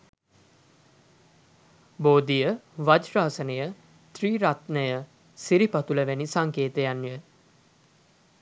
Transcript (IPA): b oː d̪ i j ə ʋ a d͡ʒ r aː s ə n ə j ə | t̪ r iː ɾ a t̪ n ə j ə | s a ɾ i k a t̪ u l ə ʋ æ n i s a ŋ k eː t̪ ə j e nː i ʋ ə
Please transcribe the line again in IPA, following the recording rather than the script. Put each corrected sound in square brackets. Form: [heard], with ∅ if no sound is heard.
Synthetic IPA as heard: b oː d̪ i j ə ʋ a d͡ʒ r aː s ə n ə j ə | t̪ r iː ɾ a t̪ n ə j ə | s [i] ɾ i [p] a t̪ u l ə ʋ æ n i s a ŋ k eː t̪ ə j [a] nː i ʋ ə

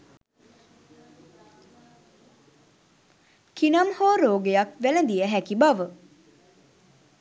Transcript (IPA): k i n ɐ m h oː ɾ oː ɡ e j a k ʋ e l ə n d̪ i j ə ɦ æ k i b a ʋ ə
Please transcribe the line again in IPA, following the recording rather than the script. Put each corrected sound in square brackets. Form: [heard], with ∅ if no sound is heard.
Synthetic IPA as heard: k i n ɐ m h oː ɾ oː ɡ e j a k ʋ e l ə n d̪ i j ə ɦ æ k i b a ʋ ə

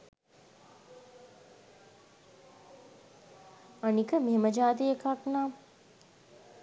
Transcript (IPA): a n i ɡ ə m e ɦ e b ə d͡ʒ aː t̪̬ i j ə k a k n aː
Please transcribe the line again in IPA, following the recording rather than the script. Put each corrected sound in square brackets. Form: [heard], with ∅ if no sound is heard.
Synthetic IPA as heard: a n i [k] ə m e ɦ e [m] ə d͡ʒ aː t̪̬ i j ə k a k n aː

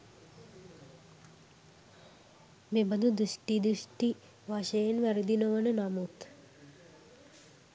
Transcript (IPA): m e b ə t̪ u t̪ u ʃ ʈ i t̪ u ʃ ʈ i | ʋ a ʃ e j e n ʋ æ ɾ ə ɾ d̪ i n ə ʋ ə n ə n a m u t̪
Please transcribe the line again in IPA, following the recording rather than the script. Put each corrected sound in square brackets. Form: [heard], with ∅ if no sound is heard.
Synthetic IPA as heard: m e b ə [d̪] u [d̪] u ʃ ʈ i [d̪] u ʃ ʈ i | ʋ a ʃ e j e n ʋ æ ɾ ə [∅] d̪ i n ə ʋ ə n ə n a m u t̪

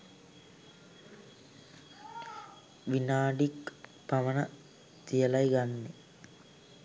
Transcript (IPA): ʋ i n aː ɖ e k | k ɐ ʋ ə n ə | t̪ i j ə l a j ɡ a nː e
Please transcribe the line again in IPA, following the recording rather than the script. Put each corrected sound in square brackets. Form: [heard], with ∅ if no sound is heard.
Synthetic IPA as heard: ʋ i n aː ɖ [i] k | [p] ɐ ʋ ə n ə | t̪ i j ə l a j ɡ a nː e

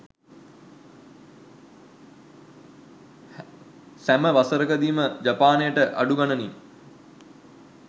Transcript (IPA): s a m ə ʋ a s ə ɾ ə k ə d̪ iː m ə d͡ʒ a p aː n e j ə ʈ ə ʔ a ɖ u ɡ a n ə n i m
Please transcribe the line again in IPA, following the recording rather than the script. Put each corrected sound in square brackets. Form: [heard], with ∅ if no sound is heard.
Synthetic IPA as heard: s [æ] m ə ʋ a s ə ɾ ə k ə d̪ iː m ə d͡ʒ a p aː n e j ə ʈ ə ʔ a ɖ u ɡ a n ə n i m

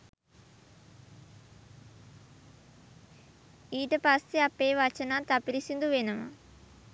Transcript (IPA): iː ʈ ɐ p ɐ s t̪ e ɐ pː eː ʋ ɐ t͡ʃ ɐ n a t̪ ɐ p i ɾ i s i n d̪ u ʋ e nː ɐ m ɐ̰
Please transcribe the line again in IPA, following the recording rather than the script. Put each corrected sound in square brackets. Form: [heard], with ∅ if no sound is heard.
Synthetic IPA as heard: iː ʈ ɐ p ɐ s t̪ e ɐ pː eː ʋ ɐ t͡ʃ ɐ n a t̪ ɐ p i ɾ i s i n d̪ u ʋ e [n] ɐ m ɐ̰

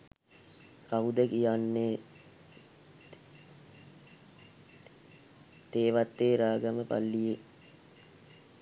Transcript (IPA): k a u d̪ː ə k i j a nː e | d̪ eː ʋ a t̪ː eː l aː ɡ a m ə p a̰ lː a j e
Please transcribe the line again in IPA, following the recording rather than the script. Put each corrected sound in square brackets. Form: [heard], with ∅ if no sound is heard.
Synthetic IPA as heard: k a u [d̪] ə k i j a nː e | [t̪] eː ʋ a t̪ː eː [ɾ] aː ɡ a m ə p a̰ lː [i] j e

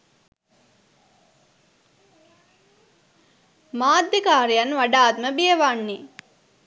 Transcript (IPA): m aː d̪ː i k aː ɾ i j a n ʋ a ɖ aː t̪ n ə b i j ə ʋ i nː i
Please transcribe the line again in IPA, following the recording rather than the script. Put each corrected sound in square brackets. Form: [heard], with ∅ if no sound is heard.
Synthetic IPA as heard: m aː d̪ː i k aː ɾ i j a n ʋ a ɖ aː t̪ [m] ə b i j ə ʋ [a] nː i

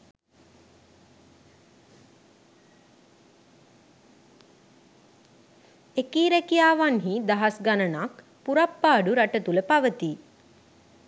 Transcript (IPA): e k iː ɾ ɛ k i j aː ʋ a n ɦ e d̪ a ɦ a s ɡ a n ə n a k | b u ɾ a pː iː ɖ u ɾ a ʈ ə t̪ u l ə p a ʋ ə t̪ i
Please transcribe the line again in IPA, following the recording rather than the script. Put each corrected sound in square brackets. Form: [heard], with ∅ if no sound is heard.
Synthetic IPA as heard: e k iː ɾ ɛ k i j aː ʋ a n ɦ [i] d̪ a ɦ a s ɡ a n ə n a k | [p] u ɾ a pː [aː] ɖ u ɾ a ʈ ə t̪ u l ə p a ʋ ə t̪ i

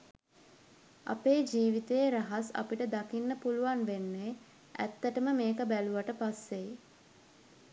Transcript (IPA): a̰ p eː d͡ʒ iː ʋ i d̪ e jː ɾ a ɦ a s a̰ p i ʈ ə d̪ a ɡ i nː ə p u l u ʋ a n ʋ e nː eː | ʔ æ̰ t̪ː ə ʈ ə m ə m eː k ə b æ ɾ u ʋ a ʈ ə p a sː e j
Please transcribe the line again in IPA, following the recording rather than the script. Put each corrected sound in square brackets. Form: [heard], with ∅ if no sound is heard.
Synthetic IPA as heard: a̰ p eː d͡ʒ iː ʋ i [t̪] e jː ɾ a ɦ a s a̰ p i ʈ ə d̪ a [k] i nː ə p u l u ʋ a n ʋ e nː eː | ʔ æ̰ t̪ː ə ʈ ə m ə m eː k ə b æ [l] u ʋ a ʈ ə p a sː e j

